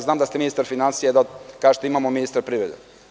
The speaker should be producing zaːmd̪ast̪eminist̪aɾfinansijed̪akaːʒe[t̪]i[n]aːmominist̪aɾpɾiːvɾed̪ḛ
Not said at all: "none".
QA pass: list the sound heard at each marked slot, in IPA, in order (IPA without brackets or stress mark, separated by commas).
t̪, m